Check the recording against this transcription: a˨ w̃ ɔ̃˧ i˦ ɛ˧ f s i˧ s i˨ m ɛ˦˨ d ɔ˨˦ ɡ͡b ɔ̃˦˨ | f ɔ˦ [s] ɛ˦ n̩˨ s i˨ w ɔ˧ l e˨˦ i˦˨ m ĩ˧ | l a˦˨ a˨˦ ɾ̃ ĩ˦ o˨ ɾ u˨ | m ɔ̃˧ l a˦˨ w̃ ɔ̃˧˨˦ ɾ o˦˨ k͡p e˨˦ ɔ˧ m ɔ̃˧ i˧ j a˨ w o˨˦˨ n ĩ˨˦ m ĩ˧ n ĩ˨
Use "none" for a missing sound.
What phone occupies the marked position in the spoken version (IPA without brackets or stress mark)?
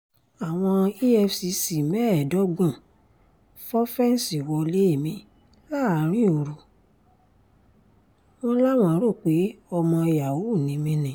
f